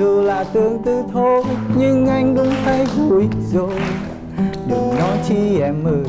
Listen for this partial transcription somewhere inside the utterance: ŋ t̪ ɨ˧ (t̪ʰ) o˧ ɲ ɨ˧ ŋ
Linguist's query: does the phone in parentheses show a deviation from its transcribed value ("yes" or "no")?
no